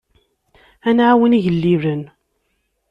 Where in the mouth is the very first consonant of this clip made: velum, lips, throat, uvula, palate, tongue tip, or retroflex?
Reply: tongue tip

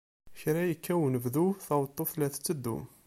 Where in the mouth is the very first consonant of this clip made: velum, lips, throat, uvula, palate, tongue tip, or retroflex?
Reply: palate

